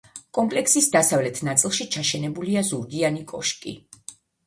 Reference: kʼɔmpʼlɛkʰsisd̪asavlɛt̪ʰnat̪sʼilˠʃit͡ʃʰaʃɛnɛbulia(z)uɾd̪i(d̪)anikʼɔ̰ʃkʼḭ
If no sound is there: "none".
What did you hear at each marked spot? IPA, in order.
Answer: z, none

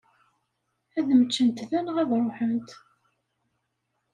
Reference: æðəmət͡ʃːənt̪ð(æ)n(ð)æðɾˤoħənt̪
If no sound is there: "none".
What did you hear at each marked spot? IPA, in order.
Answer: æ, ʁ

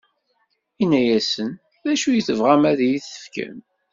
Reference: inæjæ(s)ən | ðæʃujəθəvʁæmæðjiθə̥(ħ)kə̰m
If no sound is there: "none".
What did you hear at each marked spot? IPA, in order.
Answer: s, f

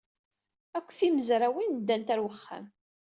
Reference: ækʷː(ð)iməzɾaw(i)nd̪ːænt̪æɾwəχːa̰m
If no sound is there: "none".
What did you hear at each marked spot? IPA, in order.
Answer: θ, i

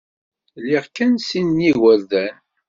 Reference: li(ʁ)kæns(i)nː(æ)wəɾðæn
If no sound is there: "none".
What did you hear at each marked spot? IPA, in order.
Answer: ʁ, i, i

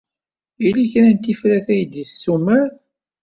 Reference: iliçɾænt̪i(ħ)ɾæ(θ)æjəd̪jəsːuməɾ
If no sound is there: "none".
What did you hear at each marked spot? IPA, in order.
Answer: f, θ

